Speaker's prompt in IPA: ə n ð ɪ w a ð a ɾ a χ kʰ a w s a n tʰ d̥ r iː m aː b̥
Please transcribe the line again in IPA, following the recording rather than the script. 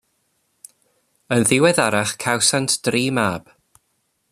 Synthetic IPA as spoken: ə n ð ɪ w ɛ ð a ɾ a χ kʰ a w s a n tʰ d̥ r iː m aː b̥